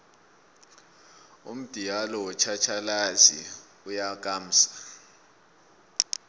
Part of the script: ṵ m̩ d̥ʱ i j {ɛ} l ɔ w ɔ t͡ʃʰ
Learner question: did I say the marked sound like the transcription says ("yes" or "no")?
no